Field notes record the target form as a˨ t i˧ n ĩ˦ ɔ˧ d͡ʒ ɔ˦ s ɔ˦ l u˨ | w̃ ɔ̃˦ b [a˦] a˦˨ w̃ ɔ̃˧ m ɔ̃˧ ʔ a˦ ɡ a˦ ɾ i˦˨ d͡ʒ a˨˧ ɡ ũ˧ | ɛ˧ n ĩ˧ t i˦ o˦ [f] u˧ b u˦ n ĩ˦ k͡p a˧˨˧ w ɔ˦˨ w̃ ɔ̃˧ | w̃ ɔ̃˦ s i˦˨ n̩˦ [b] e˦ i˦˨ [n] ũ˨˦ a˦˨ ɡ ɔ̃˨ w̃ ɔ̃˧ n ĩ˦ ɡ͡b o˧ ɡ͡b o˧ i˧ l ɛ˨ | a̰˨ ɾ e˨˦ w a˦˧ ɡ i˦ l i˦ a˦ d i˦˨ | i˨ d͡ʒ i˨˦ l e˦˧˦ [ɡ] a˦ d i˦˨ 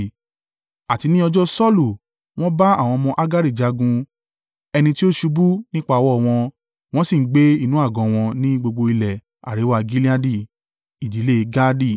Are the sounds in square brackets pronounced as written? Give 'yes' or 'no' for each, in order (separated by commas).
yes, no, no, yes, yes